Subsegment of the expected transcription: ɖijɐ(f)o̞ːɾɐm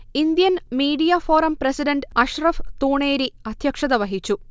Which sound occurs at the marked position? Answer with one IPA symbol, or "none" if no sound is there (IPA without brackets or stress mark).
f